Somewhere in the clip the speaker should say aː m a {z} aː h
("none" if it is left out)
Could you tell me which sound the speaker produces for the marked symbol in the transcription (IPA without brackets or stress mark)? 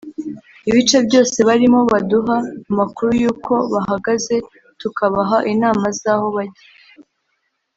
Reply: z